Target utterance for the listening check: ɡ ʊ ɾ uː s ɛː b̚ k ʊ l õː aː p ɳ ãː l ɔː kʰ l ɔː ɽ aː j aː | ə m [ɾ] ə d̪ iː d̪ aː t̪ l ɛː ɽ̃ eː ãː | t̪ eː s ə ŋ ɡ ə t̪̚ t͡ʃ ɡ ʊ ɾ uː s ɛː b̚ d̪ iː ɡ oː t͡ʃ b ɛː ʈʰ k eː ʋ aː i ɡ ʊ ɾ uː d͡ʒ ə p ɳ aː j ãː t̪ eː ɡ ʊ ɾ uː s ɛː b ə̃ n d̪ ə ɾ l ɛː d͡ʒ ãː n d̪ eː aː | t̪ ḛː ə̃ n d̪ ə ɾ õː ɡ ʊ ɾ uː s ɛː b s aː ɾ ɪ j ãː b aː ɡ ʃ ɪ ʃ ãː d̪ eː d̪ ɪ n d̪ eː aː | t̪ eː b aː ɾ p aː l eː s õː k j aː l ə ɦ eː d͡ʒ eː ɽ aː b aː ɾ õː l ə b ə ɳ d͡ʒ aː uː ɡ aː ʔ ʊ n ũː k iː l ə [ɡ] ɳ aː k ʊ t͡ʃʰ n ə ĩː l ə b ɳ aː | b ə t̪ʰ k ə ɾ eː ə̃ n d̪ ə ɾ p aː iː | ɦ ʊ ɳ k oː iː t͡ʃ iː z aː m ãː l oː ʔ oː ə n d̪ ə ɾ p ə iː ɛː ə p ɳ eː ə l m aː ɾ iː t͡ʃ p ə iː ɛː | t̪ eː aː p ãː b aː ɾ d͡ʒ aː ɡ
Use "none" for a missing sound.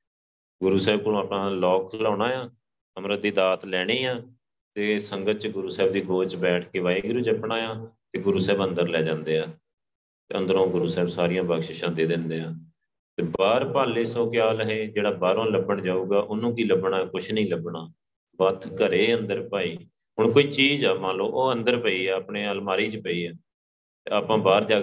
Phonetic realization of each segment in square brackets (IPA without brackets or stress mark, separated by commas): ɾ, b